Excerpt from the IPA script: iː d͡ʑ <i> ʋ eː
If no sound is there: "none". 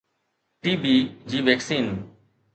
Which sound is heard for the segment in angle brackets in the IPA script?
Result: iː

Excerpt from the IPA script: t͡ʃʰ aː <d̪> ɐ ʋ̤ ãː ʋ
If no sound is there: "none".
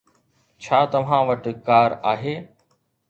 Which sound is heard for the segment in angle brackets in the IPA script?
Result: t̪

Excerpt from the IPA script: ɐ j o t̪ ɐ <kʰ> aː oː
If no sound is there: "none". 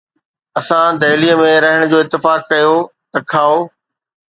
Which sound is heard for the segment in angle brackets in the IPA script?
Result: kʰ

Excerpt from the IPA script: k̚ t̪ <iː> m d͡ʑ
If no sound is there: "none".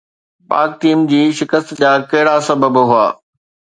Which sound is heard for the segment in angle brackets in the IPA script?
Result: iː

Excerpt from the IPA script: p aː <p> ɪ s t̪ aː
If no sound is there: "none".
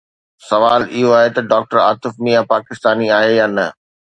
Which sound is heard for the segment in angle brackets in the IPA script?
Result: k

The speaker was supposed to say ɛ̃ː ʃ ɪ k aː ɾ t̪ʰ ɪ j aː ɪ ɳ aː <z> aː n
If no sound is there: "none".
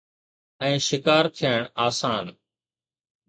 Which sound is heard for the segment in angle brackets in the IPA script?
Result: s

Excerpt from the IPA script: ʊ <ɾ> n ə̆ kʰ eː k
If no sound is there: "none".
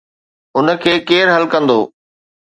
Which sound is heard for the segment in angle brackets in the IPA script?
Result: none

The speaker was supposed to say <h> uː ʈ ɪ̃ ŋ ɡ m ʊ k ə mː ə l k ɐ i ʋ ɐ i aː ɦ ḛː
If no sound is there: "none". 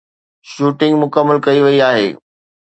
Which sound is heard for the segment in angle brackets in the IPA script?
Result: ʃ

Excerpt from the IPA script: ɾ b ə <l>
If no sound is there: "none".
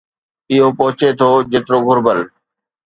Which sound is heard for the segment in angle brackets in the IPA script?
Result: l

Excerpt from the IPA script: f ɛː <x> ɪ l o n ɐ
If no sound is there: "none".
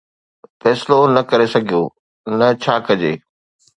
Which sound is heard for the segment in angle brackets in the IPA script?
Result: s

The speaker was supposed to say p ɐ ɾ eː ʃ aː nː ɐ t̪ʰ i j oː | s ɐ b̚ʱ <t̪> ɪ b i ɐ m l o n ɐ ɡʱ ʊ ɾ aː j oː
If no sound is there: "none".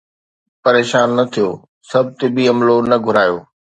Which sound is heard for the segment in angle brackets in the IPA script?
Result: t̪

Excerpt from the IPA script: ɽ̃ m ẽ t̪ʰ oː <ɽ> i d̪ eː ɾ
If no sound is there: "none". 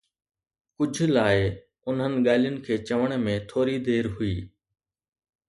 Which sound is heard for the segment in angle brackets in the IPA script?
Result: ɾ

